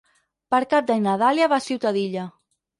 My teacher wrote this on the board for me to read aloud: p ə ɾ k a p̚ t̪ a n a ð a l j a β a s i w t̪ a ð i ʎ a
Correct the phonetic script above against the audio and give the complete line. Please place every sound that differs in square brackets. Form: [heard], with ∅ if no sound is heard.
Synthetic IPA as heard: p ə ɾ k a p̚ [d̪] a n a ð a l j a β a s i w t̪ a ð i ʎ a